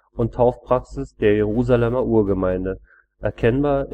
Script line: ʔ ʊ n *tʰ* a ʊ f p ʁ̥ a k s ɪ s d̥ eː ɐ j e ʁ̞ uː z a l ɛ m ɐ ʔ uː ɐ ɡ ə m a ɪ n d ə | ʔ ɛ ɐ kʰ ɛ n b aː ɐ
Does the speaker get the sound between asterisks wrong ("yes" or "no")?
no